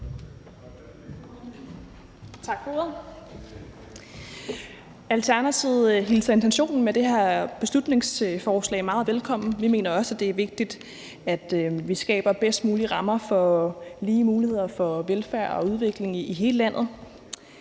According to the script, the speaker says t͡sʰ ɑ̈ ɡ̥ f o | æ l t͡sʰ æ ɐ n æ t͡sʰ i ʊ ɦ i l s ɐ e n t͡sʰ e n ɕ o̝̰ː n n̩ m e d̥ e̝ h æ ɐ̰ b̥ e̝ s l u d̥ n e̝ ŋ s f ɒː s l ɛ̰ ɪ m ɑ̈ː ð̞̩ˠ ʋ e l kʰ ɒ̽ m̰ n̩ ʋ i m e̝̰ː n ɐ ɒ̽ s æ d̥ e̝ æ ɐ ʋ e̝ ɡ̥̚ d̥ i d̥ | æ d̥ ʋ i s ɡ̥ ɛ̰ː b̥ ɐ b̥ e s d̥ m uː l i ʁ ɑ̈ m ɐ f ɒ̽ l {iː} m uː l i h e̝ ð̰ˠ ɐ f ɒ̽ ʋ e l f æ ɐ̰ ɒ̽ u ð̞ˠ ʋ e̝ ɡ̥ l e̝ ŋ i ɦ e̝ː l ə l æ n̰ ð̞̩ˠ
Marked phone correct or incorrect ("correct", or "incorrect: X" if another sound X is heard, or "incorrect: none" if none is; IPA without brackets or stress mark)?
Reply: correct